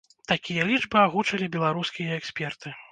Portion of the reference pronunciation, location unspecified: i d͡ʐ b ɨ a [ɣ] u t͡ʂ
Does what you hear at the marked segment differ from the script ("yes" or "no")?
no